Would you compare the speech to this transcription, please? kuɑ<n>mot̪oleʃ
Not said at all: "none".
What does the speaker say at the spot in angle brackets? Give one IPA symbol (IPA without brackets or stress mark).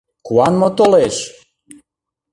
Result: n